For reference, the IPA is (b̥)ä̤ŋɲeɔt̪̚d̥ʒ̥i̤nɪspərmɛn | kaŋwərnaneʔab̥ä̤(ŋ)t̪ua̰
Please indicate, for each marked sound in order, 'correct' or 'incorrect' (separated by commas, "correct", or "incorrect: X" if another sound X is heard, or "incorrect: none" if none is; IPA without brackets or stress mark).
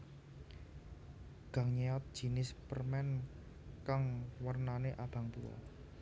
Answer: incorrect: ɡ̥, correct